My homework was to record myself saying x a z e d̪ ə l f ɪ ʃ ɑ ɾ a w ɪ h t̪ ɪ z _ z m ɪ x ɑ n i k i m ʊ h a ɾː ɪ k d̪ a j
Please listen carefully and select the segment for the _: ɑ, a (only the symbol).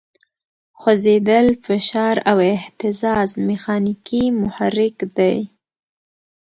ɑ